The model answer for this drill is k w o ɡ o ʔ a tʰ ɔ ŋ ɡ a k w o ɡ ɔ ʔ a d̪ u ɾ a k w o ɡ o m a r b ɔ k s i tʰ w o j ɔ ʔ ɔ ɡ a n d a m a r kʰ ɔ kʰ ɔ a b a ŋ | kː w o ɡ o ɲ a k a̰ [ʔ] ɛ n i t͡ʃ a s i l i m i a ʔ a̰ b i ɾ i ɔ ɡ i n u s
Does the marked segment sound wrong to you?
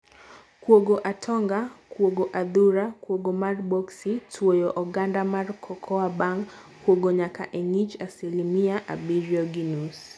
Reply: no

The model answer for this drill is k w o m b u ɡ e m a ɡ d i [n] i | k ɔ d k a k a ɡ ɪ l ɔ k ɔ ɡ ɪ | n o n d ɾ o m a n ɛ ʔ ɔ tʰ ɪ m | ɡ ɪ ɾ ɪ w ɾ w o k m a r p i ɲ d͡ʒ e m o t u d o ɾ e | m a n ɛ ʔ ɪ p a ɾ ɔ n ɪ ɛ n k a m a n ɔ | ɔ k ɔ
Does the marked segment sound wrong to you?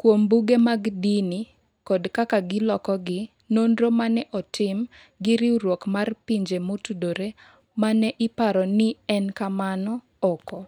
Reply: no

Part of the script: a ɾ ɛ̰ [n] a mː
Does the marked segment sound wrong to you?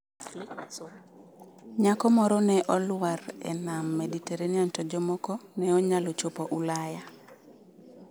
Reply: no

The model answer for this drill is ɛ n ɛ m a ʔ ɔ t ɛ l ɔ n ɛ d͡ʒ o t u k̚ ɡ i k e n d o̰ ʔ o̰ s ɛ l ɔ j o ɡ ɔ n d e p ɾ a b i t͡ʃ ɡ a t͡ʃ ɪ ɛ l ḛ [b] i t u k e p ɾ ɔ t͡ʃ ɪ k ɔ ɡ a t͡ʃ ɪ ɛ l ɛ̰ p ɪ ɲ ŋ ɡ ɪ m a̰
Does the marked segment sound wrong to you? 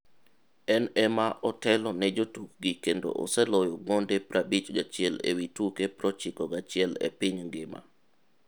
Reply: yes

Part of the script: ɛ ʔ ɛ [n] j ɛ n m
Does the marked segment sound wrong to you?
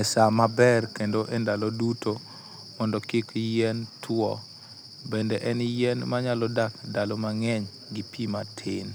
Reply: no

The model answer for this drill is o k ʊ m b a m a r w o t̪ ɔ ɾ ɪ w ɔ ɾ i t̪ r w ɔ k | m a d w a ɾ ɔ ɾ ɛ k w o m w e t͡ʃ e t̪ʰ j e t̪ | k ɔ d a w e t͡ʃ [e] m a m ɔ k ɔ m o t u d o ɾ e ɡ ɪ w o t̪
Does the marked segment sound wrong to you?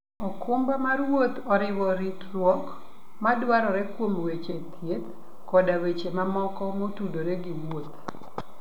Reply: no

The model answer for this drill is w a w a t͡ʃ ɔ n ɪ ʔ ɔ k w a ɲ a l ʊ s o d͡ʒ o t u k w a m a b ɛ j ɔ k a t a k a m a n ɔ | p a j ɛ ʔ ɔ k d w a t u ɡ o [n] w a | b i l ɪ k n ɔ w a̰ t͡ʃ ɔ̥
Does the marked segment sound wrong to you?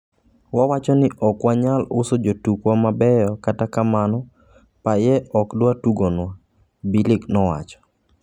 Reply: no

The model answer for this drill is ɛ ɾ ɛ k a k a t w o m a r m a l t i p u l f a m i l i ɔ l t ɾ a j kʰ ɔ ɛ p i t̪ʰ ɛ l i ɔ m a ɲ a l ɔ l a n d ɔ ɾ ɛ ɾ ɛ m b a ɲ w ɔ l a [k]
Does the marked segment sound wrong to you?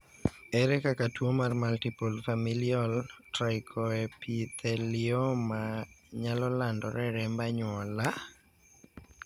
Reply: yes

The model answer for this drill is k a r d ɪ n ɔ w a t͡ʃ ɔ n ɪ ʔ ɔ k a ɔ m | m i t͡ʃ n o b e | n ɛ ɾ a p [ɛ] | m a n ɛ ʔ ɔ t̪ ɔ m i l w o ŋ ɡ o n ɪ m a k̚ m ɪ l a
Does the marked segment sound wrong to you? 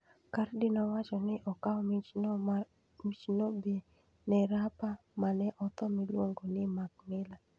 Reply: yes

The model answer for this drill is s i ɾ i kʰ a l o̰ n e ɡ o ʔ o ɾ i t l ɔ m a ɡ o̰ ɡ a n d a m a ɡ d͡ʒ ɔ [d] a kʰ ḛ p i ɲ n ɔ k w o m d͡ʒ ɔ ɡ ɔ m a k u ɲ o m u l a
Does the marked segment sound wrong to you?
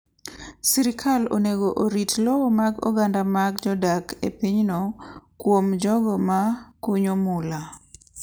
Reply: no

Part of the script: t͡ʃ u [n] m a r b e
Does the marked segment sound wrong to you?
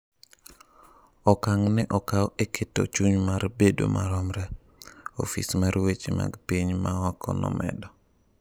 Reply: yes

